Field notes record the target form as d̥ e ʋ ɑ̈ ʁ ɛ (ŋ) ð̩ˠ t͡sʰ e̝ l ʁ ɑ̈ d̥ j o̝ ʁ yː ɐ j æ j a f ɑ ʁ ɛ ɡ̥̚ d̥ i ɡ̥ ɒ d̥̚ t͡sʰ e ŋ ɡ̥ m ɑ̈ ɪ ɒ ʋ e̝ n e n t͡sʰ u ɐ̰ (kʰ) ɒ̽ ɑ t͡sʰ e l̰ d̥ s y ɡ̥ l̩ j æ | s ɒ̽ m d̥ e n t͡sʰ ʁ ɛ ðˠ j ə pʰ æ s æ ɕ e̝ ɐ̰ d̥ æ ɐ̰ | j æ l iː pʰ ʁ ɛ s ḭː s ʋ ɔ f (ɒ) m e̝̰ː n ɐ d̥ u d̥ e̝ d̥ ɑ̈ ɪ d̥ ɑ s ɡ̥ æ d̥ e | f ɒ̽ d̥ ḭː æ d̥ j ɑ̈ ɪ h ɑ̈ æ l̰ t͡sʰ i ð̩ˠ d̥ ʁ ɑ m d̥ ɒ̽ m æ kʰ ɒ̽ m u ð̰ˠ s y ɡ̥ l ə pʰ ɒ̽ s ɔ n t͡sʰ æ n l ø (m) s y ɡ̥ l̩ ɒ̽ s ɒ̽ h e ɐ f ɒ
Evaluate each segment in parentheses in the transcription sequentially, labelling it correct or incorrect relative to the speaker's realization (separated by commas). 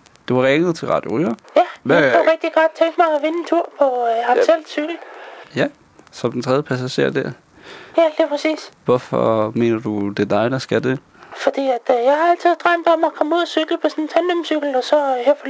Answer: correct, incorrect, correct, correct